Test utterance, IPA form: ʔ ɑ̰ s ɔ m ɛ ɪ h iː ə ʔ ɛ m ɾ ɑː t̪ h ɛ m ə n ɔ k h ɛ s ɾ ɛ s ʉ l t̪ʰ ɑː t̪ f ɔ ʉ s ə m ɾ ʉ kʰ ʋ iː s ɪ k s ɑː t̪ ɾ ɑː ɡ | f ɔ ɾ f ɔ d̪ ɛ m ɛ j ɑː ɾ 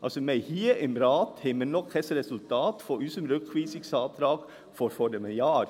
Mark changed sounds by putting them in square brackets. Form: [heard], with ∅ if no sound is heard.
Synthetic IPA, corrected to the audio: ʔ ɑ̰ s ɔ m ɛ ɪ h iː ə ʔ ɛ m ɾ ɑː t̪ h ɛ m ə n ɔ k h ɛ s ɾ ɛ s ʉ l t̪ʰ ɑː t̪ f ɔ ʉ s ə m ɾ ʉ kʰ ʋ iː s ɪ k s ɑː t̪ ɾ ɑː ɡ | f ɔ ɾ f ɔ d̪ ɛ m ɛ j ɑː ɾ